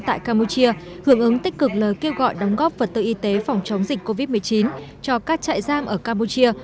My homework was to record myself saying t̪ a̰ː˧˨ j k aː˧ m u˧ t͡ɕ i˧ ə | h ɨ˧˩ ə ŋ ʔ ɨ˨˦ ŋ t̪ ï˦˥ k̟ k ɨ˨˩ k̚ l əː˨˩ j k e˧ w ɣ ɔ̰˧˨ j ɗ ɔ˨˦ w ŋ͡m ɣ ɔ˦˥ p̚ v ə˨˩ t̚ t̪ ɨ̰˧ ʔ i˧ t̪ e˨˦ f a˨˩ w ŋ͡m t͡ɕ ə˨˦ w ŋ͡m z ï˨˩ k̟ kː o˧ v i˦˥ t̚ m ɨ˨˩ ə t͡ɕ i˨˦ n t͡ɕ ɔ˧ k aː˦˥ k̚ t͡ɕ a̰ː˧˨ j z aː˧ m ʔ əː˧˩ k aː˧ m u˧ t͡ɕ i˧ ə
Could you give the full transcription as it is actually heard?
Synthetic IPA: t̪ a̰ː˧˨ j k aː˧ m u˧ t͡ɕ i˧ ə | h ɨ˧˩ ə ŋ ʔ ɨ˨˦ ŋ t̪ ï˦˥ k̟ k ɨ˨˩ k̚ l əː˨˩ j k e˧ w ɣ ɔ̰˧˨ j ɗ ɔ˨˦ w ŋ͡m ɣ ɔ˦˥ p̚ v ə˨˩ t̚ t̪ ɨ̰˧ ʔ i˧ t̪ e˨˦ f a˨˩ w ŋ͡m t͡ɕ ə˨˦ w ŋ͡m z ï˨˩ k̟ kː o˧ v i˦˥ t̚ m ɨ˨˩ ə t͡ɕ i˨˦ n t͡ɕ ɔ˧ k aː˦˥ k̚ t͡ɕ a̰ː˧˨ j z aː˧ m ʔ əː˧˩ k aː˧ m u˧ t͡ɕ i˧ ə